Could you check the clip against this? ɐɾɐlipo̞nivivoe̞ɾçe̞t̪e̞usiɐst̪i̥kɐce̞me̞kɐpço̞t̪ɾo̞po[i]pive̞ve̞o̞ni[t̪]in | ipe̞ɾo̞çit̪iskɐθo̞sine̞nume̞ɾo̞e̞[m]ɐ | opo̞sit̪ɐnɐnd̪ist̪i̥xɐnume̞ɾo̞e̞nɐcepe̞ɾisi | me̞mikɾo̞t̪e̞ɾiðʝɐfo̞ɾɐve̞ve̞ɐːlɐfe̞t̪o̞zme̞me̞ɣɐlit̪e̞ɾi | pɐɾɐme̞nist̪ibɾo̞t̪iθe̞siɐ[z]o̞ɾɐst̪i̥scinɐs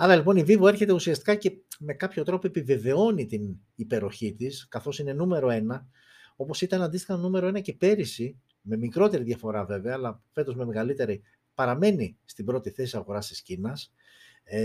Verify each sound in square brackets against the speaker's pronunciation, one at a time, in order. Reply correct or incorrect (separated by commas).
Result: incorrect, correct, incorrect, incorrect